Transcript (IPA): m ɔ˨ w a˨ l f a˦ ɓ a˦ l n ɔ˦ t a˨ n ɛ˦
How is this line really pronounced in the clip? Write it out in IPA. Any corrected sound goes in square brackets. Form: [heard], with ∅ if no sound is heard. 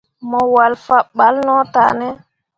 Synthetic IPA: m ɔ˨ w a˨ l f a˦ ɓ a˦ l n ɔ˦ t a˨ n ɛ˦